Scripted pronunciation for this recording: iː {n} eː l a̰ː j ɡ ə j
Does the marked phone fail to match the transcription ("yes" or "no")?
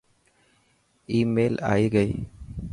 yes